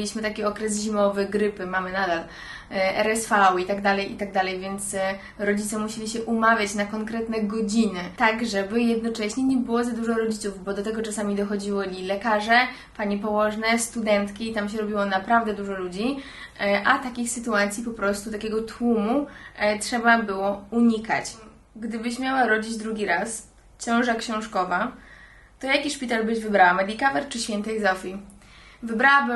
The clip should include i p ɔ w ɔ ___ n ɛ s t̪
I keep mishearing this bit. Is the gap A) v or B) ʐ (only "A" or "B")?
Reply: B